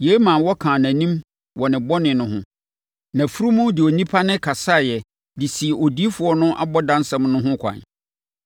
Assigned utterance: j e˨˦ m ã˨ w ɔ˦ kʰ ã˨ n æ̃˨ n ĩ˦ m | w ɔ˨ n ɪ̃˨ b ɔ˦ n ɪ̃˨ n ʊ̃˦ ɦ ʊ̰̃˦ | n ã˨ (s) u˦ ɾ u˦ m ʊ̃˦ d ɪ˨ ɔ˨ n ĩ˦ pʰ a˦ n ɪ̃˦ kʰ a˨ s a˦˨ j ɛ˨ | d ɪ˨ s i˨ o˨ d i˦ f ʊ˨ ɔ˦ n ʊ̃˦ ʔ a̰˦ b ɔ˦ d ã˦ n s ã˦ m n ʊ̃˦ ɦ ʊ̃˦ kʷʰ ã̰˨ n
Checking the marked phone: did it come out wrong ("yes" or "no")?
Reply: yes